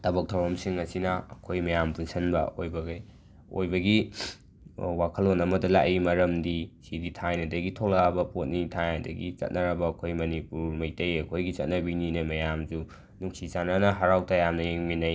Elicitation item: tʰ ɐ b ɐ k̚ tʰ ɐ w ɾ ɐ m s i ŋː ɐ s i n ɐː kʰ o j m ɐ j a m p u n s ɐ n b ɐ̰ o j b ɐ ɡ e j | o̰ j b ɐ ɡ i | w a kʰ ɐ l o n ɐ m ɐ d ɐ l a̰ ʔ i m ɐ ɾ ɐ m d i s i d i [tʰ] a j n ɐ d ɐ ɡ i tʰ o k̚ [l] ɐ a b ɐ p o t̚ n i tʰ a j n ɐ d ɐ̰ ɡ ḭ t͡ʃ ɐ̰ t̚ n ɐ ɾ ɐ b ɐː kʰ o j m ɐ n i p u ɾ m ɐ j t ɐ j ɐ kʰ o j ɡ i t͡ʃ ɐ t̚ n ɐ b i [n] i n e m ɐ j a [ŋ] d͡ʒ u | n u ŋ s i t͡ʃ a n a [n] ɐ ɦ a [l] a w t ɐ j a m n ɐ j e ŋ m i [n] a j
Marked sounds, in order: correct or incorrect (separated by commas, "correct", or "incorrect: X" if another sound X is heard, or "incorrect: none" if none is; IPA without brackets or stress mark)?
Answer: correct, correct, correct, incorrect: m, correct, incorrect: ɾ, correct